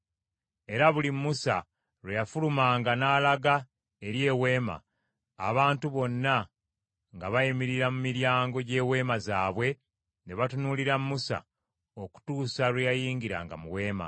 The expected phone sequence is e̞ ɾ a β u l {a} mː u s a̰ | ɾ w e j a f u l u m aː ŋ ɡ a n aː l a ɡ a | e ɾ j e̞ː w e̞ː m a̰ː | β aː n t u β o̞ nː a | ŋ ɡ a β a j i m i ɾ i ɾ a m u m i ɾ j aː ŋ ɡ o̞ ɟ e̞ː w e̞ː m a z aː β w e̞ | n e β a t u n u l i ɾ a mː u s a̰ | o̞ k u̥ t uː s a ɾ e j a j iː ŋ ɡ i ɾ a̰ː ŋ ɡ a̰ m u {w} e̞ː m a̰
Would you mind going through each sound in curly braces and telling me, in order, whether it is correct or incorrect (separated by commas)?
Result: incorrect, correct